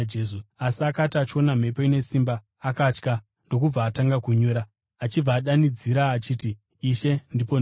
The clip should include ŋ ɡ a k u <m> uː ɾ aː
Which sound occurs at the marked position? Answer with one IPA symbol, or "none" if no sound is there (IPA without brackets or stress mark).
ɲ